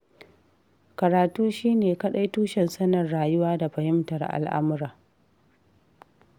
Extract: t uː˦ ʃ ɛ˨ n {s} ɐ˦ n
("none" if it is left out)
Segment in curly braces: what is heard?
s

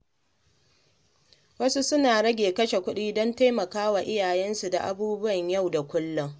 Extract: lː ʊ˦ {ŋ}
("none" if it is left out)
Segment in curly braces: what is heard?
ŋ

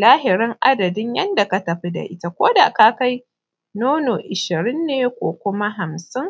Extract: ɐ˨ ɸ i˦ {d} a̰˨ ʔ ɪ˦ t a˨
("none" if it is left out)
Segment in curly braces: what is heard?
d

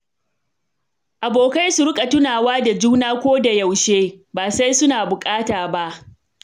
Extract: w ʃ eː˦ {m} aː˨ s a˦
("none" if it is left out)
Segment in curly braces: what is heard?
b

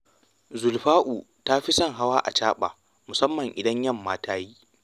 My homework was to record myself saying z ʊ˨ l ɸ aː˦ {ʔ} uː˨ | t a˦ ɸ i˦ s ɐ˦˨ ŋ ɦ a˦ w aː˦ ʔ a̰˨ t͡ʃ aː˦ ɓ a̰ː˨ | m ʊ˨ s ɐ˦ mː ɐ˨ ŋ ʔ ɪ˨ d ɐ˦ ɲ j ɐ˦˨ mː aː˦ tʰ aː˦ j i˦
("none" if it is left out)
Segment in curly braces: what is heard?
ʔ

